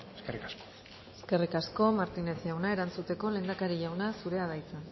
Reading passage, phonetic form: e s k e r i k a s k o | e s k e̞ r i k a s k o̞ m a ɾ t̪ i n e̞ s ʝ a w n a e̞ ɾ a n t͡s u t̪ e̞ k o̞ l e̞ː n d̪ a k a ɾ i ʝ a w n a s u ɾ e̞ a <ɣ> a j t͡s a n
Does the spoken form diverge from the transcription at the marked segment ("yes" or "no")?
yes